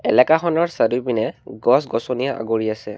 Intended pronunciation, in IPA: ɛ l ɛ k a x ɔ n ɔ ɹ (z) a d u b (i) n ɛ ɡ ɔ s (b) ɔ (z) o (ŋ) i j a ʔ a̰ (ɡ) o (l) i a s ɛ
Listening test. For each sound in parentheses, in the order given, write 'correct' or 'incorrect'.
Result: incorrect: s, correct, incorrect: ɡ, incorrect: s, incorrect: n, correct, incorrect: ɹ

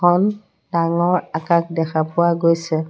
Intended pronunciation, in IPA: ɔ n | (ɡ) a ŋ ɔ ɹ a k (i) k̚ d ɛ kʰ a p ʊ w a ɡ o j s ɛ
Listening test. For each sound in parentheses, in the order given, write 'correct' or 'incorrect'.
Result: incorrect: d, incorrect: a

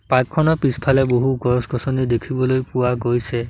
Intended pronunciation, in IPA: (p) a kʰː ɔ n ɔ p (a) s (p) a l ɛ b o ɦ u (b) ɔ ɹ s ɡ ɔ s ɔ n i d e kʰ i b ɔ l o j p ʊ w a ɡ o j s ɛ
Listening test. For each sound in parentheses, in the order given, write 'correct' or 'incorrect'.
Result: correct, incorrect: i, incorrect: pʰ, incorrect: ɡ

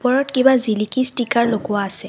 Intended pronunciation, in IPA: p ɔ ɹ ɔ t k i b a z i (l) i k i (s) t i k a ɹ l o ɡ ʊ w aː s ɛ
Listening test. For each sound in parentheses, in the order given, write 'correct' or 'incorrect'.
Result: correct, correct

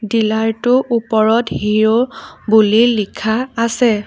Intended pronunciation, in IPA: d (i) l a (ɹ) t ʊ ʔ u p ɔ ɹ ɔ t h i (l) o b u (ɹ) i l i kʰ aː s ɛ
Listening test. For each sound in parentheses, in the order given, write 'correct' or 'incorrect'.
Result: correct, correct, incorrect: ɹ, incorrect: l

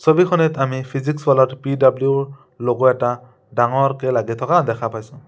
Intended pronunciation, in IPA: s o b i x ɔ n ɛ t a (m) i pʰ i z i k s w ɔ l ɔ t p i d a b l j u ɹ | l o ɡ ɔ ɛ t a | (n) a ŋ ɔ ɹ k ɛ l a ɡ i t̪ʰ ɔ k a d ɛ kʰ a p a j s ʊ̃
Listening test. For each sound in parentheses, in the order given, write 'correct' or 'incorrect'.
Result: correct, incorrect: d

